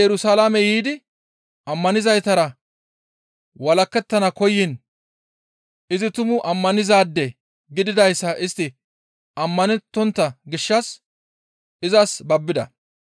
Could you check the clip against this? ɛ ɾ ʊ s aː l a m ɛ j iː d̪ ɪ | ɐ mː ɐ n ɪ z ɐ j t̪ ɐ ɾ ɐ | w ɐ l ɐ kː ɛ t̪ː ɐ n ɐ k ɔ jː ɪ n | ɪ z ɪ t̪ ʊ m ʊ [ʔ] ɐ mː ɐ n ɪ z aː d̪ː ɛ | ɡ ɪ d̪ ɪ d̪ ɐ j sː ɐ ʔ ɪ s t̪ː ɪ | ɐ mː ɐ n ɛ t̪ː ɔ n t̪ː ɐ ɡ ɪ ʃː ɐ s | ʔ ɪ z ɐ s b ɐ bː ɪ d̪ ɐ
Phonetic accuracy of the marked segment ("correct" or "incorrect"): correct